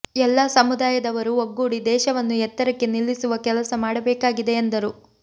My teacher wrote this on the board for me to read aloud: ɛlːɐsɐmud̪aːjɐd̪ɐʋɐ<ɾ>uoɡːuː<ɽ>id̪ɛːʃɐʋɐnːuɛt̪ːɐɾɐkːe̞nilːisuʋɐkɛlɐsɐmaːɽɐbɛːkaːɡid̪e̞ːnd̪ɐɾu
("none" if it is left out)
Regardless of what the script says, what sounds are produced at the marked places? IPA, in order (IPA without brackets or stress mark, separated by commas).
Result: ɾ, ɽ